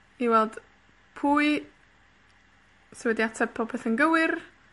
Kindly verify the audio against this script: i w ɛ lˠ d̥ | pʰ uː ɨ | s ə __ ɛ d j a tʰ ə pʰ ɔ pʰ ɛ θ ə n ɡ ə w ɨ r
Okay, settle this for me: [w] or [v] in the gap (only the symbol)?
w